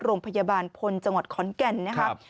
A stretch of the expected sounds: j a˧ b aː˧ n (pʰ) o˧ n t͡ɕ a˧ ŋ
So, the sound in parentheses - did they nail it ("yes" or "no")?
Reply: yes